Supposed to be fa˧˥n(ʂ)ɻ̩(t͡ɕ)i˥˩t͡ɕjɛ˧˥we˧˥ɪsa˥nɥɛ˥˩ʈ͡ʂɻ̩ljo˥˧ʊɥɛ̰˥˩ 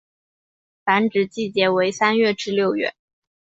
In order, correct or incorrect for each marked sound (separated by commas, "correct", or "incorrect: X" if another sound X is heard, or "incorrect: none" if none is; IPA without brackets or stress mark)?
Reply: incorrect: ʈ͡ʂ, correct